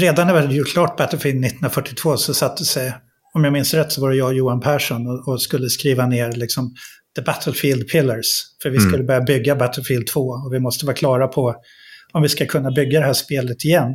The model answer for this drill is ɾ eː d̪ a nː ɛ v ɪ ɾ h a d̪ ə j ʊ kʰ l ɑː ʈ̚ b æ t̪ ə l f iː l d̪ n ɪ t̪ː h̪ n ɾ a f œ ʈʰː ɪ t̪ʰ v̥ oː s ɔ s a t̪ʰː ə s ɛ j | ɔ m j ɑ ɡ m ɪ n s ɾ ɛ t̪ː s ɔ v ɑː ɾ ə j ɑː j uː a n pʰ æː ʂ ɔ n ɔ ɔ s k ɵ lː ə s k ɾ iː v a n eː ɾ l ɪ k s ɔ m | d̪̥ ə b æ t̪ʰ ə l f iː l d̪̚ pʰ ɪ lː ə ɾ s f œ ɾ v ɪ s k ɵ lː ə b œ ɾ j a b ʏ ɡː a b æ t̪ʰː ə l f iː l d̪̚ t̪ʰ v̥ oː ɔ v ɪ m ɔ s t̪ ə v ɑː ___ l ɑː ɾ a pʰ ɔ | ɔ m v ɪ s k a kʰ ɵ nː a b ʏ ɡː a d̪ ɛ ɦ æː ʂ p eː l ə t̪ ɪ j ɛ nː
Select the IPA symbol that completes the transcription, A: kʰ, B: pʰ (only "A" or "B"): A